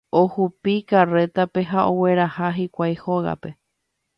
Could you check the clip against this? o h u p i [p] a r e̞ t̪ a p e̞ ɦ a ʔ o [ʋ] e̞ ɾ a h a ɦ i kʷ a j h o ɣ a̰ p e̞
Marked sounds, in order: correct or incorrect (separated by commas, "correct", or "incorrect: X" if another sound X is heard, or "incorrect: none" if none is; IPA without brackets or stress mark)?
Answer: incorrect: k, incorrect: w